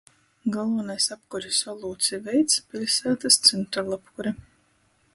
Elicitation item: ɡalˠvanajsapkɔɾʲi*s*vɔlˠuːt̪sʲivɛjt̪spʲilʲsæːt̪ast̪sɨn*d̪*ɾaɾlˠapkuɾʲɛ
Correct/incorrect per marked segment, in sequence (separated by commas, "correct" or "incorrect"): correct, incorrect